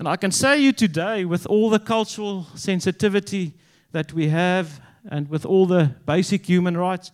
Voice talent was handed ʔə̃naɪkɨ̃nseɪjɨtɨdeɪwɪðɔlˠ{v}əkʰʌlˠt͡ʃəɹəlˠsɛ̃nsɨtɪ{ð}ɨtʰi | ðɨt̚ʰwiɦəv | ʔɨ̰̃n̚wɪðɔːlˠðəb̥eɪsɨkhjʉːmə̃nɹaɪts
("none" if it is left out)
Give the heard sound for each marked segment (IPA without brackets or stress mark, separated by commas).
ð, v